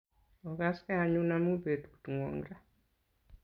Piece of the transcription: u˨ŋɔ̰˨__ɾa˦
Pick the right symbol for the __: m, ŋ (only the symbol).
ŋ